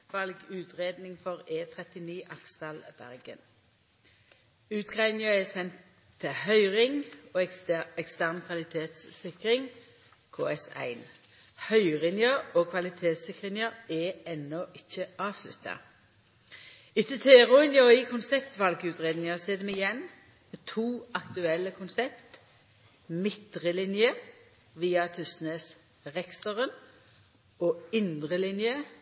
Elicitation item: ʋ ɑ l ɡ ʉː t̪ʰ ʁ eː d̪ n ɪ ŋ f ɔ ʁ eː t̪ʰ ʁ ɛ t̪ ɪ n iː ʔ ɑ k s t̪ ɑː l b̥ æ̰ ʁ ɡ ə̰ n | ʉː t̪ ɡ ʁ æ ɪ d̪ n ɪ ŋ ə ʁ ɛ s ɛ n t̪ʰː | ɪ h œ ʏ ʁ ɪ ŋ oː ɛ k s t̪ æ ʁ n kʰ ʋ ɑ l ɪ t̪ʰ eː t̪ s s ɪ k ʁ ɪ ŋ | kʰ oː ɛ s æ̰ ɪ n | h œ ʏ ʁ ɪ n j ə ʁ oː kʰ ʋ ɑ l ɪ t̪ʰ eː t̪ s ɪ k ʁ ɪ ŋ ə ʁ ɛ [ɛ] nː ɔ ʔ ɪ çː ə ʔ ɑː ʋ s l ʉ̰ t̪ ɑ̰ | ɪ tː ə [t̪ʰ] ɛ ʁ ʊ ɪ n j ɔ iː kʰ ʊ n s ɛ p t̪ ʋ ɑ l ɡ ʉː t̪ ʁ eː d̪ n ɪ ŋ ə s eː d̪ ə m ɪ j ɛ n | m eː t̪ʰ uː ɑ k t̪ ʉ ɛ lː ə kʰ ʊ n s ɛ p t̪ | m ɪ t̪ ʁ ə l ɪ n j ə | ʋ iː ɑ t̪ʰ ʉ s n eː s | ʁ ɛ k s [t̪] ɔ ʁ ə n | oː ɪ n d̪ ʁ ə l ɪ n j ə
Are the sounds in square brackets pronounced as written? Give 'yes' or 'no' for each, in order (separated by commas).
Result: yes, yes, yes